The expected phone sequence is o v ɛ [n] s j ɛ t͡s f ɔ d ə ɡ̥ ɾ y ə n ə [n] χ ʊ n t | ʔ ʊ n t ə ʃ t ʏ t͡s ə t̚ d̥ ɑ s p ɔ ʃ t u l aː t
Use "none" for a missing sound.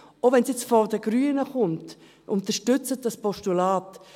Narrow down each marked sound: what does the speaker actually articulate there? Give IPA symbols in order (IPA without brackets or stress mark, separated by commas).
n, none